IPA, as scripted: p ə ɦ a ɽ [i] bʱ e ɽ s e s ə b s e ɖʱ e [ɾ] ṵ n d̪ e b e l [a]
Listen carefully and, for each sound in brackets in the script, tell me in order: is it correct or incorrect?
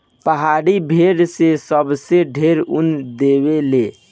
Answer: correct, correct, incorrect

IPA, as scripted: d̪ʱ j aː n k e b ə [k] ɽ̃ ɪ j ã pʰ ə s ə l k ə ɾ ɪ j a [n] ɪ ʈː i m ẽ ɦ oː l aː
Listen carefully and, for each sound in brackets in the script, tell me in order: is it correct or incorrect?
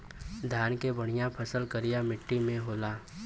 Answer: incorrect, incorrect

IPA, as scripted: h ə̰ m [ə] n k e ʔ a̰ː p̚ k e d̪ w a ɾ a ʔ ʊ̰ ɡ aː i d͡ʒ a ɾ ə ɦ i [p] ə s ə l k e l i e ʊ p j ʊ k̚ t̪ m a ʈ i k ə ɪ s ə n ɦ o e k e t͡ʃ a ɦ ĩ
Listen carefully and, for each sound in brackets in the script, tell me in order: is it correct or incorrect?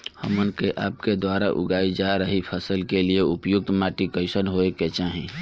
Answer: correct, incorrect

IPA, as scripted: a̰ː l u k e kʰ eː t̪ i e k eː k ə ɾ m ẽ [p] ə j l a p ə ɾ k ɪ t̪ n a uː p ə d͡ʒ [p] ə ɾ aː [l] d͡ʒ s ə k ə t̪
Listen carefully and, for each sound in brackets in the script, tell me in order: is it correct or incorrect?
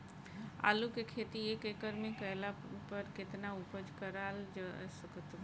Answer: incorrect, incorrect, correct

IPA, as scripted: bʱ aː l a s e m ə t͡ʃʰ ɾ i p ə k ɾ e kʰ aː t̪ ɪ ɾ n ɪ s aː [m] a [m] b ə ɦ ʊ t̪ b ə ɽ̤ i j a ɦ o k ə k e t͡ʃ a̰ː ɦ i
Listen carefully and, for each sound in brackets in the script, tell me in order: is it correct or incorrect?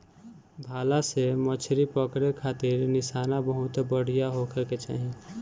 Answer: incorrect, incorrect

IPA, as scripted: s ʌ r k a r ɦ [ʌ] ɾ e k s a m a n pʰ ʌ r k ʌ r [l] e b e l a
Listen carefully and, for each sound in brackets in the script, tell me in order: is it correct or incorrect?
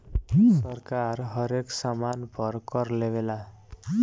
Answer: correct, correct

